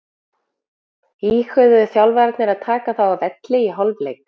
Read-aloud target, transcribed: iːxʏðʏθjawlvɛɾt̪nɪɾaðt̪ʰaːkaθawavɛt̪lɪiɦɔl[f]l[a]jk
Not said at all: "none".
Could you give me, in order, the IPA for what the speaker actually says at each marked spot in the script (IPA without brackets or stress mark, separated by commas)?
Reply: v, e